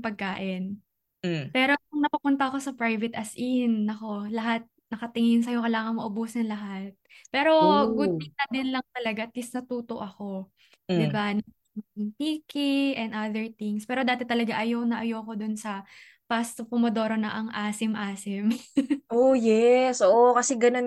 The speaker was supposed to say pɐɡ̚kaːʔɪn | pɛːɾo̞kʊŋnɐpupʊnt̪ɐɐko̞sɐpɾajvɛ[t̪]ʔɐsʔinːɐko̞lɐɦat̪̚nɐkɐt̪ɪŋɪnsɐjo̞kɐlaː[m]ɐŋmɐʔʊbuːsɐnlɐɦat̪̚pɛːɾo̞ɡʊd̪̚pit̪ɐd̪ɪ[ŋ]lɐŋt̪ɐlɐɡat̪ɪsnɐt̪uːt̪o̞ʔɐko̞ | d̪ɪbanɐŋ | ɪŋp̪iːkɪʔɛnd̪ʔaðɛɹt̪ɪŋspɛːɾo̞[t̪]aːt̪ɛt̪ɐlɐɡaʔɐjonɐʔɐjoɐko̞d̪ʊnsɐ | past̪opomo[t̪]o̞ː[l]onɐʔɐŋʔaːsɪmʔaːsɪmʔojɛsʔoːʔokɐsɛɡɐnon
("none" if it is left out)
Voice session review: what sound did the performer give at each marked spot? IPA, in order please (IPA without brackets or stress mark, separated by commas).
t̪, ŋ, n, d̪, d̪, ɾ